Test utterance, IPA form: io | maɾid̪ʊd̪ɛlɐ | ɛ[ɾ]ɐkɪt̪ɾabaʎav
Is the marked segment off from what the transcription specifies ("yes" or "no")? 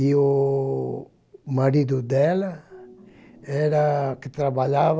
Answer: no